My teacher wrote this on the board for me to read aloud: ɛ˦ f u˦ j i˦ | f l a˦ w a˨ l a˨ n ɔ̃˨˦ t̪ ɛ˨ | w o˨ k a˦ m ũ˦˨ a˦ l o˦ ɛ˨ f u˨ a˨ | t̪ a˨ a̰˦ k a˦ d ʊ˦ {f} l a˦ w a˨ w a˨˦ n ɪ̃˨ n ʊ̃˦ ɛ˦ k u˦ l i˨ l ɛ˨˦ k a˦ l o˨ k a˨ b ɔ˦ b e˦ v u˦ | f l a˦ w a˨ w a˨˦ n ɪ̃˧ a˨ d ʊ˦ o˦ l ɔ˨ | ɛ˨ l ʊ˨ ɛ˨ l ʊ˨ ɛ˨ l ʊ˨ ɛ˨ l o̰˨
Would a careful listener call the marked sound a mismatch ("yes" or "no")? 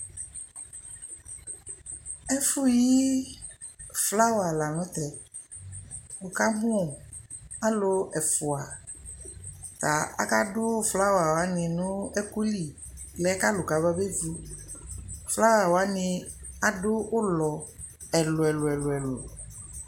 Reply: no